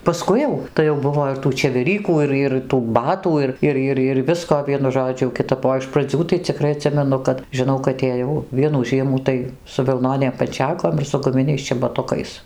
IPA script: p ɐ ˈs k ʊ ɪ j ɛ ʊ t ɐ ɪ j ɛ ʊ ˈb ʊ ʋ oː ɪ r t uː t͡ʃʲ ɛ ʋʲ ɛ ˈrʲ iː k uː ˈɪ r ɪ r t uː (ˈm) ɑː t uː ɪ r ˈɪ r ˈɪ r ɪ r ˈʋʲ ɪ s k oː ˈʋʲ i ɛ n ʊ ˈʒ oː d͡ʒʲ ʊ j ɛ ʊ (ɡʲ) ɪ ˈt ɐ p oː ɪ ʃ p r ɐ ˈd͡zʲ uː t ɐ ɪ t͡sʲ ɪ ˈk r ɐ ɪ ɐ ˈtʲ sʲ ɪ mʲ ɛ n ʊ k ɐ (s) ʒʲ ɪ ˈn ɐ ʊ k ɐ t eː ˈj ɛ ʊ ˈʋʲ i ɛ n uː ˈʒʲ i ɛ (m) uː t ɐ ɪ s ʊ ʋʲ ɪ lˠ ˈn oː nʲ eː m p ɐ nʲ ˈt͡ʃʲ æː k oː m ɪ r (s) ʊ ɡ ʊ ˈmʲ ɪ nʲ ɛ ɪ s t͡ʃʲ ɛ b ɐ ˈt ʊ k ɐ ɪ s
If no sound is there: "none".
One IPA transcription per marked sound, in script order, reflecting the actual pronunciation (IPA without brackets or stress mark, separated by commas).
b, kʲ, t, m, s